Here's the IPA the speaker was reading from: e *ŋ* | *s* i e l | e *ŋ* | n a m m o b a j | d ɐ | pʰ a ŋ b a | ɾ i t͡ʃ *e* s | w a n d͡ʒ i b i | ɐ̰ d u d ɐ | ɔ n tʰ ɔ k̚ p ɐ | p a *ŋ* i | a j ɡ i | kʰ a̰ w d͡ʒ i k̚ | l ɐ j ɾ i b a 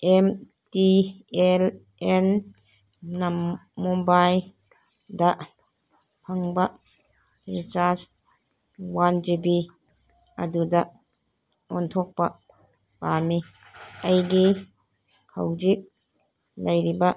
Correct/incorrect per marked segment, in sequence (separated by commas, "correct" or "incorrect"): incorrect, incorrect, incorrect, incorrect, incorrect